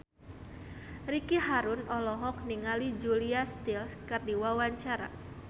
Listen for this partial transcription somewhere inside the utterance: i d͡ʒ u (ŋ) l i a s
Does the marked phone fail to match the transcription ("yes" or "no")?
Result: yes